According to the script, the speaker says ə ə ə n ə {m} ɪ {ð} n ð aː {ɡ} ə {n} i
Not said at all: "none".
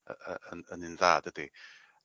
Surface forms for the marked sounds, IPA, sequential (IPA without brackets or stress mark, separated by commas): n, none, d, d